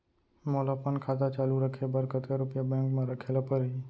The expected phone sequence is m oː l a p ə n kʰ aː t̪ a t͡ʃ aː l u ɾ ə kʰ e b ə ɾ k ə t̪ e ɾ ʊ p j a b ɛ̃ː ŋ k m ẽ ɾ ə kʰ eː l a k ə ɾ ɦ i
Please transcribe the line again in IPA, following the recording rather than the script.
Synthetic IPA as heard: m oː l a p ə n kʰ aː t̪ a t͡ʃ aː l u ɾ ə kʰ e b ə ɾ k ə t̪ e ɾ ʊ p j a b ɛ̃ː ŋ k m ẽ ɾ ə kʰ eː l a p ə ɾ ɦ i